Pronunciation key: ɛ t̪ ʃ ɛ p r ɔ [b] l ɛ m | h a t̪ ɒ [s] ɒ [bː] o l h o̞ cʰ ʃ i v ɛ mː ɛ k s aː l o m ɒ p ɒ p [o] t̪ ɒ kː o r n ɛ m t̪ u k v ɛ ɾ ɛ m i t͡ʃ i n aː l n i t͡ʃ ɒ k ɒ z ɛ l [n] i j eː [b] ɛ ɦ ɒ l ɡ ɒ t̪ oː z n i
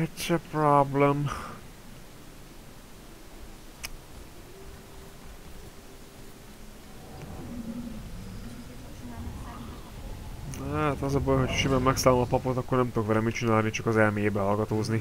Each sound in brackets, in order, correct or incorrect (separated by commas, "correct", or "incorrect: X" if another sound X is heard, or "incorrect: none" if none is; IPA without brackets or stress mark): correct, incorrect: z, incorrect: b, correct, incorrect: m, correct